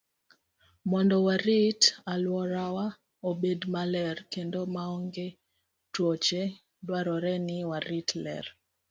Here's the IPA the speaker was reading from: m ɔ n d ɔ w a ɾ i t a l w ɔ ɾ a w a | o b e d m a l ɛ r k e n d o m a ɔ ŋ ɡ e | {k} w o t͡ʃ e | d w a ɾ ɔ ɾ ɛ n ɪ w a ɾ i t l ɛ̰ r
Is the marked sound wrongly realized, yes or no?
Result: yes